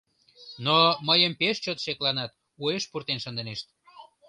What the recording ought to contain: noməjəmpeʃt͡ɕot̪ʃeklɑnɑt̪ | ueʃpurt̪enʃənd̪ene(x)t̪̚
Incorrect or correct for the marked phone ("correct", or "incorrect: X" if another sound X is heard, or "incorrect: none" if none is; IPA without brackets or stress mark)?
incorrect: ʃ